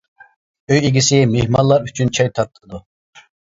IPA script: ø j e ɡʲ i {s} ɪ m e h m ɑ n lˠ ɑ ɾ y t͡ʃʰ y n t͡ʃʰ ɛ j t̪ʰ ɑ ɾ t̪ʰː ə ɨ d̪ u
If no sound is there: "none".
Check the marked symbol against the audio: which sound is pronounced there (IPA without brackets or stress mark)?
s